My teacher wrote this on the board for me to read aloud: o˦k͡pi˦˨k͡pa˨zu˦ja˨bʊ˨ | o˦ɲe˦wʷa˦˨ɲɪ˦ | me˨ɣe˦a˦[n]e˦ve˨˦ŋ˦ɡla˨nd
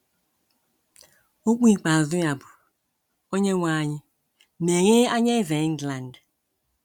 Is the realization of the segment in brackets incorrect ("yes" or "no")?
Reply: yes